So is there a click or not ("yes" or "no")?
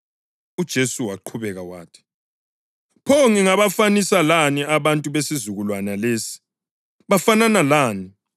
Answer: yes